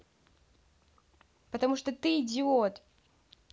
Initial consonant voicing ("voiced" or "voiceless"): voiceless